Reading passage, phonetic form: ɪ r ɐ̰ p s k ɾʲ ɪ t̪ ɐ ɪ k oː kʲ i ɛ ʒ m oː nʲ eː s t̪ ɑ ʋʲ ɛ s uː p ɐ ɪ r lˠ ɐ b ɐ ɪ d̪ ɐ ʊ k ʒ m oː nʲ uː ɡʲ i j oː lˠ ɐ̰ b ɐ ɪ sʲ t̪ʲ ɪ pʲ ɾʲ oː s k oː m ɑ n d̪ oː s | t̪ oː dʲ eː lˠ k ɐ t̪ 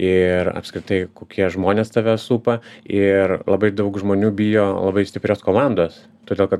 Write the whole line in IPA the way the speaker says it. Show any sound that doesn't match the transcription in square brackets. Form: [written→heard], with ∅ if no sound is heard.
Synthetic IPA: ɪ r ɐ̰ p s k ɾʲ ɪ t̪ ɐ ɪ k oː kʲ i ɛ ʒ m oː nʲ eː s t̪ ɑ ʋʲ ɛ s uː p ɐ ɪ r lˠ ɐ b ɐ ɪ d̪ ɐ ʊ k ʒ m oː nʲ uː [ɡʲ→bʲ] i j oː lˠ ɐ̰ b ɐ ɪ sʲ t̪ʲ ɪ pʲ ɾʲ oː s k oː m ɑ n d̪ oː s | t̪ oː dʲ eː lˠ k ɐ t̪